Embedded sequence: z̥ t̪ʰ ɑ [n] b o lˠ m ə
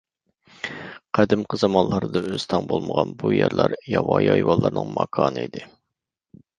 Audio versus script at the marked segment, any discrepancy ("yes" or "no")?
yes